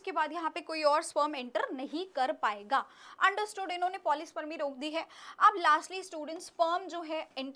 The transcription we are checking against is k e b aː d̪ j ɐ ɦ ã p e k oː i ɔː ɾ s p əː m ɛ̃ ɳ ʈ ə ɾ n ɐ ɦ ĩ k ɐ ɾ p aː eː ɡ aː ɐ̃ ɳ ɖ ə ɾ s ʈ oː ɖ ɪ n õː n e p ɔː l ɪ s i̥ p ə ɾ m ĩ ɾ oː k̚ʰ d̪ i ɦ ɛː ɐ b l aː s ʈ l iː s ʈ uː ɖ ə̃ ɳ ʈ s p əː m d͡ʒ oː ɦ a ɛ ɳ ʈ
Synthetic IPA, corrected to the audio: k e b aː d̪ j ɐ ɦ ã p e k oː i ɔː ɾ s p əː m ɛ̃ ɳ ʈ ə ɾ n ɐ ɦ ĩ k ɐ ɾ p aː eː ɡ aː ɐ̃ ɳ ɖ ə ɾ s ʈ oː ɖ ɪ n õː n e p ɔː l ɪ s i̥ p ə ɾ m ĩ ɾ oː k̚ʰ d̪ i ɦ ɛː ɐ b l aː s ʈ l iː s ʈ uː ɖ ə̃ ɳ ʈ s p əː m d͡ʒ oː ɦ ɛ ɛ ɳ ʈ